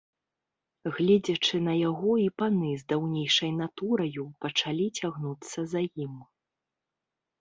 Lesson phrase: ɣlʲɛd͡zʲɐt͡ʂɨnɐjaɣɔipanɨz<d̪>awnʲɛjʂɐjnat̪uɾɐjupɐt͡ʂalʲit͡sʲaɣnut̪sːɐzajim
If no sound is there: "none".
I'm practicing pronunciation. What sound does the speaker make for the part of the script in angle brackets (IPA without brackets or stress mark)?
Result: d̪